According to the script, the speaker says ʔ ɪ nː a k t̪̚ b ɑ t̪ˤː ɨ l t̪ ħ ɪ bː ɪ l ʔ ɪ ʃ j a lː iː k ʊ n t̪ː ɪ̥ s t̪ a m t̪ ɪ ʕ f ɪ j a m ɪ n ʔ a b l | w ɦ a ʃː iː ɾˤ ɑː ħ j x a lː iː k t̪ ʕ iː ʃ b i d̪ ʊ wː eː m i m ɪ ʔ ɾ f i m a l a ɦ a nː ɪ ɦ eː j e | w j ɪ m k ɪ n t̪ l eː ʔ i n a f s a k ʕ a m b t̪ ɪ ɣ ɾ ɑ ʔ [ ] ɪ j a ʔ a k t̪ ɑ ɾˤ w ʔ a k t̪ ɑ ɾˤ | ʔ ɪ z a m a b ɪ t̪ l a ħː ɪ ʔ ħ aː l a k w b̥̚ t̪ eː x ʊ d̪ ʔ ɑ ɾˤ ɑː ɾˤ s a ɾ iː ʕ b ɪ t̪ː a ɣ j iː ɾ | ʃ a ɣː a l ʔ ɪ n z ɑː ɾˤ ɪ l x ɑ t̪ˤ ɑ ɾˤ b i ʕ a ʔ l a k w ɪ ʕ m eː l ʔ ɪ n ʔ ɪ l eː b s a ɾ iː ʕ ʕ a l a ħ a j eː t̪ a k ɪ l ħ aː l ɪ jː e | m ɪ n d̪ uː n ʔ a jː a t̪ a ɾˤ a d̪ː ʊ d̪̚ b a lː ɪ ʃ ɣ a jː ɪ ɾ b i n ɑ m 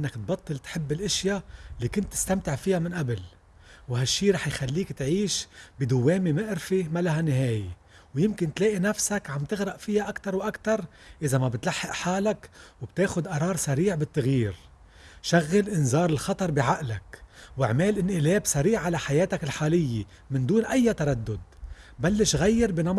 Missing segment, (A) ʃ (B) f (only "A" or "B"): B